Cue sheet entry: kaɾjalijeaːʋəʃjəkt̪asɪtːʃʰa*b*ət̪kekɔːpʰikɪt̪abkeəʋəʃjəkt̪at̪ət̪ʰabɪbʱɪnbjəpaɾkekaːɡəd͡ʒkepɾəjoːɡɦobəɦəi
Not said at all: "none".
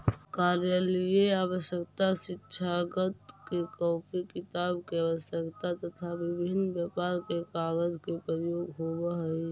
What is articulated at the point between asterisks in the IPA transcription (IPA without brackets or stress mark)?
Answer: ɡ